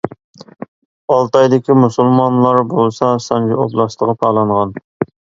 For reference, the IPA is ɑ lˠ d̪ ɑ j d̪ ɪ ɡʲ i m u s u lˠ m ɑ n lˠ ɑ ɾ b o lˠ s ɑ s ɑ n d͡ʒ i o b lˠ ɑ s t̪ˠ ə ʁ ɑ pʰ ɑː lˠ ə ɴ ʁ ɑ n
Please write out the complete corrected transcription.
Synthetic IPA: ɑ lˠ t̪ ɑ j d̪ ɪ kʲ i m u s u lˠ m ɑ n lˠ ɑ ɾ b o lˠ s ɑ s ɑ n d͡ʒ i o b lˠ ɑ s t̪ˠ ə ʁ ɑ pʰ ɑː lˠ ɑ ɴ ʁ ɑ n